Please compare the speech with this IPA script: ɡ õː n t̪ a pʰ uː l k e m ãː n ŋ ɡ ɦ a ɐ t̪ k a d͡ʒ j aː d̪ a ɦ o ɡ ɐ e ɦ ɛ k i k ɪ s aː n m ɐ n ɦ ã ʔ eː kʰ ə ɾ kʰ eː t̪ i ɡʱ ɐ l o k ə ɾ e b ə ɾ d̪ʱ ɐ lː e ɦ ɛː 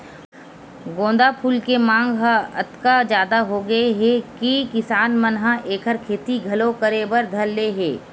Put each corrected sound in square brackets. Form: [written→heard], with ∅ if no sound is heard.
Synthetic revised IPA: ɡ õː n [t̪→d̪] a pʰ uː l k e m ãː [n→∅] ŋ ɡ ɦ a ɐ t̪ k a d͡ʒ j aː d̪ a ɦ o ɡ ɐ e ɦ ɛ k i k ɪ s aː n m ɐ n ɦ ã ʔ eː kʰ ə ɾ kʰ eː t̪ i ɡʱ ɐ l o k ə ɾ e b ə ɾ d̪ʱ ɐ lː e ɦ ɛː